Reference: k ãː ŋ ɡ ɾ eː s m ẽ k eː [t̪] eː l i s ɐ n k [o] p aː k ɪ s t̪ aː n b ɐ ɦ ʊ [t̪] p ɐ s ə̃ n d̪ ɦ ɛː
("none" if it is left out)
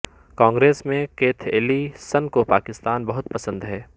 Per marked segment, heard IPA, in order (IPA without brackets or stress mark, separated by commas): t̪ʰ, o, t̪